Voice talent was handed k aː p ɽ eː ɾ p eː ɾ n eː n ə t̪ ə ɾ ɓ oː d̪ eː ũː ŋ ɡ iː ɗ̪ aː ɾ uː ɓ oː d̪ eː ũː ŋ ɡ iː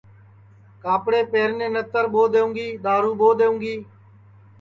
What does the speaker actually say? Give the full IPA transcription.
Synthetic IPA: k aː p ɽ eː p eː ɾ n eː n ə t̪ ə ɾ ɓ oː d̪ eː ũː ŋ ɡ iː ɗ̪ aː ɾ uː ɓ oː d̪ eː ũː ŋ ɡ iː

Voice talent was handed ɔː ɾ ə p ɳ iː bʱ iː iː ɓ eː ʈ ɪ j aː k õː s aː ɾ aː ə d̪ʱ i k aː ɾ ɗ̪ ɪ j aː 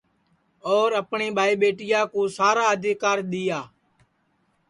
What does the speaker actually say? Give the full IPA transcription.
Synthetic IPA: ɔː ɾ ə p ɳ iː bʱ aː iː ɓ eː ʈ ɪ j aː k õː s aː ɾ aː ə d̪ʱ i k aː ɾ ɗ̪ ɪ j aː

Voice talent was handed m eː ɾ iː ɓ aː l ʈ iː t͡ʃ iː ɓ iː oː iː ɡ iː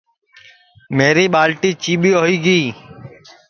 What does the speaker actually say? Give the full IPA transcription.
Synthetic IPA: m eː ɾ iː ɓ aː l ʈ iː t͡ʃ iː ɓ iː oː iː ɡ iː

